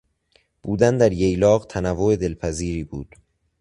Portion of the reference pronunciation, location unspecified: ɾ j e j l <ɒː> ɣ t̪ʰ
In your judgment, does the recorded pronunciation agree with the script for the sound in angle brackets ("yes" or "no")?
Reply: yes